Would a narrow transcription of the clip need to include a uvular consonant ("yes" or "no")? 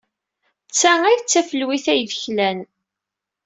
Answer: no